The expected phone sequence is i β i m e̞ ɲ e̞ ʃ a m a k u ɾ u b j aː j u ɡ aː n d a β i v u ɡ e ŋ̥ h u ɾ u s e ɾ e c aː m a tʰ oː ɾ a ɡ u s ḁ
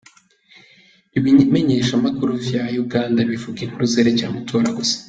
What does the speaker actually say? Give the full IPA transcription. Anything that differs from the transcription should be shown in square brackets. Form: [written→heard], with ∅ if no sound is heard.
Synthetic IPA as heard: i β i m e̞ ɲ e̞ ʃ a m a k u ɾ u [b→v] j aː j u ɡ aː n d a β i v u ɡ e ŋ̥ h u ɾ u [s→z] e ɾ e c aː m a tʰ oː ɾ a ɡ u s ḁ

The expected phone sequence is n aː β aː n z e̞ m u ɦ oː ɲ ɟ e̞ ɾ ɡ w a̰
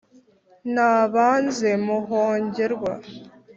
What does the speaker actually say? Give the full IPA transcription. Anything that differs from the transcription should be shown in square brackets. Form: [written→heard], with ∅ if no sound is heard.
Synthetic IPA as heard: n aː β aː n z e̞ m u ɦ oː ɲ ɟ e̞ ɾ ɡ w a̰

